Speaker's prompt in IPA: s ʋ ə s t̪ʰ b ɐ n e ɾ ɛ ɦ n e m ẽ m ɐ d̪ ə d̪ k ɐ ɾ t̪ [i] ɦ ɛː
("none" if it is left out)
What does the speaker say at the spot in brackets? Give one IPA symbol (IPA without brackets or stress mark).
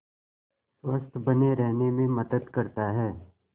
a